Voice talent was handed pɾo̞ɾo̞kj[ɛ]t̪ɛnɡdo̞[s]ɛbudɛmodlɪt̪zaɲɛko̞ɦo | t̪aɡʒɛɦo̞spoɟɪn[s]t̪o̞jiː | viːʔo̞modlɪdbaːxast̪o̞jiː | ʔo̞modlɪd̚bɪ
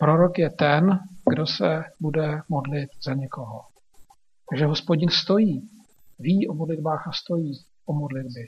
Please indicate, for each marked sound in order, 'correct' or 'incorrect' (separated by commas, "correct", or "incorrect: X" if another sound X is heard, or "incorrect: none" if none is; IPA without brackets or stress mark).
correct, correct, correct